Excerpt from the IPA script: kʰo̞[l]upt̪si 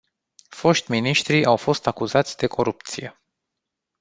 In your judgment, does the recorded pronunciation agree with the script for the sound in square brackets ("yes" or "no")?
no